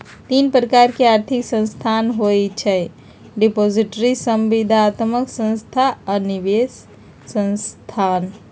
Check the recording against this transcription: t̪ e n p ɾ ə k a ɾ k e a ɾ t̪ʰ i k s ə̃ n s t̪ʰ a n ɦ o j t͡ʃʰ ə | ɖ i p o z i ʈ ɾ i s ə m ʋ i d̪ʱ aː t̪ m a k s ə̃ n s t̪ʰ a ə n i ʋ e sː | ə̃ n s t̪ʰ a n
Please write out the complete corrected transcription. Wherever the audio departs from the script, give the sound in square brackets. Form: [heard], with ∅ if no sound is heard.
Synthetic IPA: t̪ [i] n p ɾ ə k a ɾ k e a ɾ t̪ʰ i k s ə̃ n s t̪ʰ a n ɦ o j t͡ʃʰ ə | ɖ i p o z i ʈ ɾ i s ə m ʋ i d̪ʱ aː t̪ m [ə] k s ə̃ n s t̪ʰ a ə n i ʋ e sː | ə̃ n s t̪ʰ a n